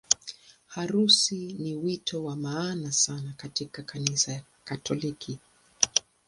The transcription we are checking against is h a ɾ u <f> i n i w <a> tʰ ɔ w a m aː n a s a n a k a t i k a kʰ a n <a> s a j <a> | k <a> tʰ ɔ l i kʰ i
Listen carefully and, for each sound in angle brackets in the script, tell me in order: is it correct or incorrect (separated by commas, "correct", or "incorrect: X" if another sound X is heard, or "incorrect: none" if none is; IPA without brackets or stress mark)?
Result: incorrect: s, incorrect: i, incorrect: i, correct, correct